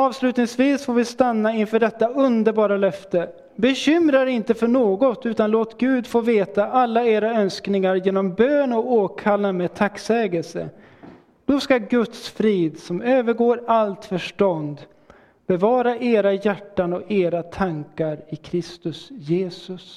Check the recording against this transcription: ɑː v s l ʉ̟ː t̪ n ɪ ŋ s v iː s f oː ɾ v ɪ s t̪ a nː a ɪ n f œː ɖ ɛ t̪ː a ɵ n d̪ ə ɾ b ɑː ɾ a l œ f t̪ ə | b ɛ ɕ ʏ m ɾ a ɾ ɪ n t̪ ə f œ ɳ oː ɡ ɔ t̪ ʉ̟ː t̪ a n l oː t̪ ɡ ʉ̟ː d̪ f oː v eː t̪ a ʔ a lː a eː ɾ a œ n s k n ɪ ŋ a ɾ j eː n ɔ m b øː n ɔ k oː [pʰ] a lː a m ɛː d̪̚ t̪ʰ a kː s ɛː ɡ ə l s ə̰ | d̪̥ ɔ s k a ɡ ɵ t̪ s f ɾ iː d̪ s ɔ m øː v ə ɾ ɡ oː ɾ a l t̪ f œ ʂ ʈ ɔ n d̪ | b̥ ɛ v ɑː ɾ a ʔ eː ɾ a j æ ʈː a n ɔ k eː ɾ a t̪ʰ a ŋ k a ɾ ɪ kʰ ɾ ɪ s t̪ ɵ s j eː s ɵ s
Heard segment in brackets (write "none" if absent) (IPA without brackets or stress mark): kʰ